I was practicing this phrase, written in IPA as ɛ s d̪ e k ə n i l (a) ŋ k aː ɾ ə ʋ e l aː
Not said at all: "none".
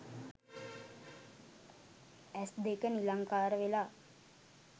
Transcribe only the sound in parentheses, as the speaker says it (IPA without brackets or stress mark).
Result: a